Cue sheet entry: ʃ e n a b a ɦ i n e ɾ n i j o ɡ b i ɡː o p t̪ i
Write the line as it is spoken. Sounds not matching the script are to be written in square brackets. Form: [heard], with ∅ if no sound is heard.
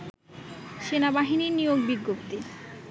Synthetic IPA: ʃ e n a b a ɦ i n [i] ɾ n i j o ɡ b i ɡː o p t̪ i

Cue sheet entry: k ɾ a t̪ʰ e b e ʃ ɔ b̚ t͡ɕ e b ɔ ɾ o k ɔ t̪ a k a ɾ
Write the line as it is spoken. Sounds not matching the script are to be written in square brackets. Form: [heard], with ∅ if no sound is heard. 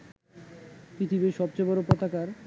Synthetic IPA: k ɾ [i] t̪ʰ [i] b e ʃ ɔ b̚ t͡ɕ e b ɔ ɾ o [p] ɔ t̪ a k a ɾ

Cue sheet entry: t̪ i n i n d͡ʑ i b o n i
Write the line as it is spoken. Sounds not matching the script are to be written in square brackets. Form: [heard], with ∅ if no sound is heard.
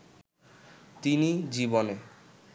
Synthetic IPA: t̪ i n i [∅] d͡ʑ i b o n [e]

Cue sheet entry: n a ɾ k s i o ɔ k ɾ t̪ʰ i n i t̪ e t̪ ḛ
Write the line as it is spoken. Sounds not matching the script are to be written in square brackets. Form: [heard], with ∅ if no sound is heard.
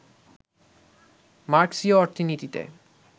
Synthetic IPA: [m] a ɾ k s i o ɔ [∅] ɾ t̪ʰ i n i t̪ [i] t̪ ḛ

